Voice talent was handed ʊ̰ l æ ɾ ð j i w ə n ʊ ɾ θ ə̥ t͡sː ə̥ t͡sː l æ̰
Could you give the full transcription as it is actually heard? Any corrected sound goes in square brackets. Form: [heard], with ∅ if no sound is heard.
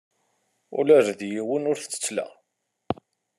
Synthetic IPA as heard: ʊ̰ l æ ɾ ð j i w ə n ʊ ɾ θ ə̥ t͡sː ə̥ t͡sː l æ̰